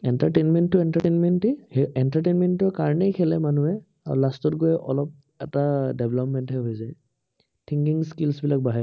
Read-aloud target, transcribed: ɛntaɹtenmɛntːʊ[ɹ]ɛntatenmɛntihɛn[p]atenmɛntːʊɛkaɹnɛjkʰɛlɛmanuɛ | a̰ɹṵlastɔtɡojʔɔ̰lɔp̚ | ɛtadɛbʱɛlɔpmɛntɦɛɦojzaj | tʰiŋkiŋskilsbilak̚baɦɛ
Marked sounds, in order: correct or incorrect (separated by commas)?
incorrect, incorrect